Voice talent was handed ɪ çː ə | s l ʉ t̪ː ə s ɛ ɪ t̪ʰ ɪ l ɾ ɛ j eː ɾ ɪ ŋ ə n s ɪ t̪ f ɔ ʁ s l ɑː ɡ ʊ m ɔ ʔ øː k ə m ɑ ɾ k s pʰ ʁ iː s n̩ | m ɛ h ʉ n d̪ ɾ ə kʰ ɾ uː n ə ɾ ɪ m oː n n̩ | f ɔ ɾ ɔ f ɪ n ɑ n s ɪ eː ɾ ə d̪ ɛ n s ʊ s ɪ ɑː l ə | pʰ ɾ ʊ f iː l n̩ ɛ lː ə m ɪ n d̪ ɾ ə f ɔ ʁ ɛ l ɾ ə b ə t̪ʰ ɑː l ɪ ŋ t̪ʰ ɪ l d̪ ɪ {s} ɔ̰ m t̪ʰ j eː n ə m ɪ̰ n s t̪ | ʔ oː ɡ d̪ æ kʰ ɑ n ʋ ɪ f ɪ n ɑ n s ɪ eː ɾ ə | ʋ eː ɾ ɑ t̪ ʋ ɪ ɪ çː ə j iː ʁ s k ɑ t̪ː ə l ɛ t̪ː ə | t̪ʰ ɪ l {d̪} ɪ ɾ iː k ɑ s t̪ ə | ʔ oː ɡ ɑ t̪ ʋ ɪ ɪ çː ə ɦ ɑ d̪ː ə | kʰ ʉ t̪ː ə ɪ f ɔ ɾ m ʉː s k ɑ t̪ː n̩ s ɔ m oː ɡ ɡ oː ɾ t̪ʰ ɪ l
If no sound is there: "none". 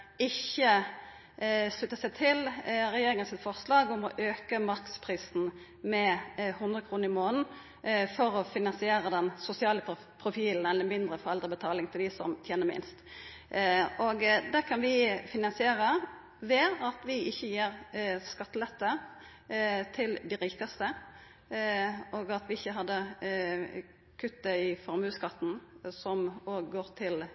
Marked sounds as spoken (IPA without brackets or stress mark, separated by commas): s, d̪